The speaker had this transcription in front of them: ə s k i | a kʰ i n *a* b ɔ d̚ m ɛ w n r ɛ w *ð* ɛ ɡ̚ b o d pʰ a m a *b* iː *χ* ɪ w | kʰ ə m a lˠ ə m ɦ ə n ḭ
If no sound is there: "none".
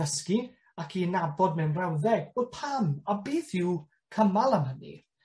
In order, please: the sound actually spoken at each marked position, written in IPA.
a, ð, b, θ

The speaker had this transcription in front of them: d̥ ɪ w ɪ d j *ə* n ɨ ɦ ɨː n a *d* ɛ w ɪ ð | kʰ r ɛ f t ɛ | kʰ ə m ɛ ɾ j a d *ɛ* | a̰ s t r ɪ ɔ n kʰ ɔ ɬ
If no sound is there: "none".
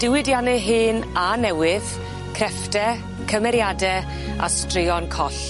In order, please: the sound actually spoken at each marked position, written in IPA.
a, n, ɛ

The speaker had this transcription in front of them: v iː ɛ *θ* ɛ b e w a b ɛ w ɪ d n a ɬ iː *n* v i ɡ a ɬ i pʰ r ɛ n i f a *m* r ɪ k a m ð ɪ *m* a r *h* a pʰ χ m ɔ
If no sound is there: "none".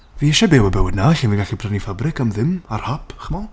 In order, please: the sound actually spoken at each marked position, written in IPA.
ʃ, n, b, m, h

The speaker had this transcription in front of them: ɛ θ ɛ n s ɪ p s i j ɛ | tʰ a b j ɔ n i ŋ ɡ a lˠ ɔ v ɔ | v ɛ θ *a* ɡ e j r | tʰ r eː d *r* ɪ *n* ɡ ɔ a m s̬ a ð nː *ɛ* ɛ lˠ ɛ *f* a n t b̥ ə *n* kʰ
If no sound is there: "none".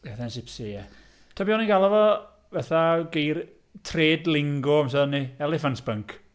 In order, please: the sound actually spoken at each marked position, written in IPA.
a, l, ŋ, i, f, ŋ

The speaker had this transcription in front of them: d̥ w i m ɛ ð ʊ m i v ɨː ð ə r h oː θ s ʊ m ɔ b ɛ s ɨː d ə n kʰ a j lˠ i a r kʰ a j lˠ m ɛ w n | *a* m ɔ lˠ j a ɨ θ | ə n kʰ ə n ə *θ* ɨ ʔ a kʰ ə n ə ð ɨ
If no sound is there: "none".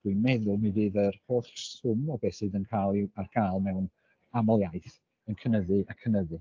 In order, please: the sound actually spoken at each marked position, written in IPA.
a, ð

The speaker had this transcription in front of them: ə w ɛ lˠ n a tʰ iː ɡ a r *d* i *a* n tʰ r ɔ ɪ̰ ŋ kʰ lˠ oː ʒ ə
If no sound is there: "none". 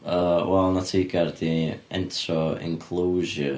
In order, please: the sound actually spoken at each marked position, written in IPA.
d, ɛ

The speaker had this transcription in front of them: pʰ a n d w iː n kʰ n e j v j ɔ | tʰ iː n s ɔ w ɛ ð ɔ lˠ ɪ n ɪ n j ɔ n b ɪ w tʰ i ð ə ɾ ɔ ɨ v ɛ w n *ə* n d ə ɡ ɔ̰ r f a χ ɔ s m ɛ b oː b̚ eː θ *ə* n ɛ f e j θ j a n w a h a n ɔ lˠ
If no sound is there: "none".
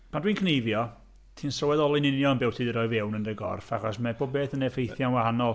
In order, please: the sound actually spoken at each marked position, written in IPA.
ə, ə

